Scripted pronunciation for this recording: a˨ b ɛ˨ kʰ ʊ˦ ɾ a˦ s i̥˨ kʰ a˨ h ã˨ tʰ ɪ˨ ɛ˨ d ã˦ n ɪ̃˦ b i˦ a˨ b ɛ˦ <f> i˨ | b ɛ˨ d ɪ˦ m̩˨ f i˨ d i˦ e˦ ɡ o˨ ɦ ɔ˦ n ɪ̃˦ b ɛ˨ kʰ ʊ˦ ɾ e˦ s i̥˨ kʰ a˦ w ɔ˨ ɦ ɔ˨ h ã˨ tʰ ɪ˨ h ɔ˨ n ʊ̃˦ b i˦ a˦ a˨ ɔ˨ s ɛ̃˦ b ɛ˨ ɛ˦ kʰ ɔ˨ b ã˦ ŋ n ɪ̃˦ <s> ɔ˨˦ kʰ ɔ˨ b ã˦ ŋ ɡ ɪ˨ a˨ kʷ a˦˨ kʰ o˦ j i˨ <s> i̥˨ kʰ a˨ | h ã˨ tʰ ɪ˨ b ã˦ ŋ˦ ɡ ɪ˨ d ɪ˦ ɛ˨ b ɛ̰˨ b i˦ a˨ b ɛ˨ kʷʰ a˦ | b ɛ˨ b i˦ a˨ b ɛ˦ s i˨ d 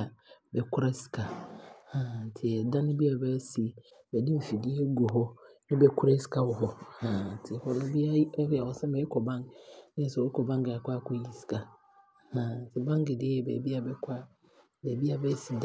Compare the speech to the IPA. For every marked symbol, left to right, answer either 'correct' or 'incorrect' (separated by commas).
incorrect, correct, correct